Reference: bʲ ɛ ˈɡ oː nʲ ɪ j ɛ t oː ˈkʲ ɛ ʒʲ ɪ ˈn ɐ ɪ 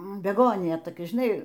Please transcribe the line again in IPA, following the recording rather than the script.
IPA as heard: bʲ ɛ ˈɡ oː nʲ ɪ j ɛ t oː ˈkʲ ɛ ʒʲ ɪ ˈn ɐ ɪ